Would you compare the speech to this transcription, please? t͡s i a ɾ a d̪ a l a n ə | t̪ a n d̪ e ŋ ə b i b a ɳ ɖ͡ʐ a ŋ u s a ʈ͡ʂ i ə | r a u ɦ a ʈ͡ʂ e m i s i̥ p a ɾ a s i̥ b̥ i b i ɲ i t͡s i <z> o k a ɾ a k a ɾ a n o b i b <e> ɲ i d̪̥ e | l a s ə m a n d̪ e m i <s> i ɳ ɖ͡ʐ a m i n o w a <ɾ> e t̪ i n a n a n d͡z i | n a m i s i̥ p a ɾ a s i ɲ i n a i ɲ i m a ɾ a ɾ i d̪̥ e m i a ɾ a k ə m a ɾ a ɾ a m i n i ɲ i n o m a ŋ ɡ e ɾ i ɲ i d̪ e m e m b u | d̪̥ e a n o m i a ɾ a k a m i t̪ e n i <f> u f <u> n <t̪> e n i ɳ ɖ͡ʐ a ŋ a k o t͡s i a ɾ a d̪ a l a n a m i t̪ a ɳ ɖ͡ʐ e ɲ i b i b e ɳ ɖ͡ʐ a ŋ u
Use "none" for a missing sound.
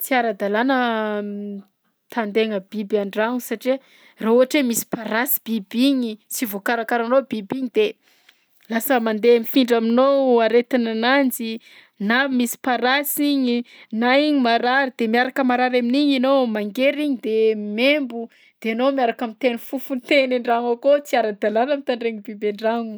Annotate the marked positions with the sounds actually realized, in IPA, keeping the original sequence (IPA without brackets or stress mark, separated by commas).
v, i, f, ɾ, f, u, t̪